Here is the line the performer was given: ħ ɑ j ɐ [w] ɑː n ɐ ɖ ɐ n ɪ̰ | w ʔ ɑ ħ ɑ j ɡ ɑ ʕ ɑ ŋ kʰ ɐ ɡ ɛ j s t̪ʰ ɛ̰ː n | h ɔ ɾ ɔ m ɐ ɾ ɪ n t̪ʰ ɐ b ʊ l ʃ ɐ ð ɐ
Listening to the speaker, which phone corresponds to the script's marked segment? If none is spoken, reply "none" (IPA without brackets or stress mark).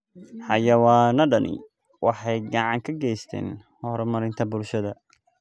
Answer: w